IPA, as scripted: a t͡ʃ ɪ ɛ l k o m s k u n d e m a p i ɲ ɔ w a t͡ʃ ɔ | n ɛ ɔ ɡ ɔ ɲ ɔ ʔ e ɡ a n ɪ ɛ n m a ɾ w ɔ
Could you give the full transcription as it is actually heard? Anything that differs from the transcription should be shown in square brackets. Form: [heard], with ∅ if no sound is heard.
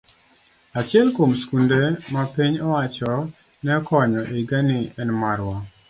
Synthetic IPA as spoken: a t͡ʃ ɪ ɛ l k o m s k u n d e m a p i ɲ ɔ w a t͡ʃ ɔ | n ɛ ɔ [k] ɔ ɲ ɔ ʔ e ɡ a n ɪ ɛ n m a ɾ w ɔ